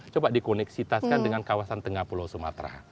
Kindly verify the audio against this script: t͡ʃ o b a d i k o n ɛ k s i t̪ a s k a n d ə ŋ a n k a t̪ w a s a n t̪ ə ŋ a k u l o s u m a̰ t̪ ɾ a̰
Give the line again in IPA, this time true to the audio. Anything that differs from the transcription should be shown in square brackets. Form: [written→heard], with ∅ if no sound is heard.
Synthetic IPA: t͡ʃ o b a d i k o n ɛ k s i t̪ a s k a n d ə ŋ a n k a [t̪→∅] w a s a n t̪ ə ŋ a [k→p] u l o s u m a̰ t̪ ɾ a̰